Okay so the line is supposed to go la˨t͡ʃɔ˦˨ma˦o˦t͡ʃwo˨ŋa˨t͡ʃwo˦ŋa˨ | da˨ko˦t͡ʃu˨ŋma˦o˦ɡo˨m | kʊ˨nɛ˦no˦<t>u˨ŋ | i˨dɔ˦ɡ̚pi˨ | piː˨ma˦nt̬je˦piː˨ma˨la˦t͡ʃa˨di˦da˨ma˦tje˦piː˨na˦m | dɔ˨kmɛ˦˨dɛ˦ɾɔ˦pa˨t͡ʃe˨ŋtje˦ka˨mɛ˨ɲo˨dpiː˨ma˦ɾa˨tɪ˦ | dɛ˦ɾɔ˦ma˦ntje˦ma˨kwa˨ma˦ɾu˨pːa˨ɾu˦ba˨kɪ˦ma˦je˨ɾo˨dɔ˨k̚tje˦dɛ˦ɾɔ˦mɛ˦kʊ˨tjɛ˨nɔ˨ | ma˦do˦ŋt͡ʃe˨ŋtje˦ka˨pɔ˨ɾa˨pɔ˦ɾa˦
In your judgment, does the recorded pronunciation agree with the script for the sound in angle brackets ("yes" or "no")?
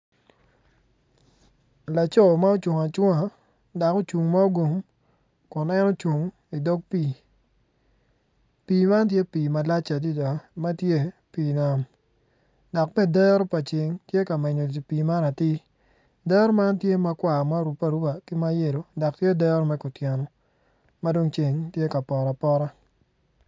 no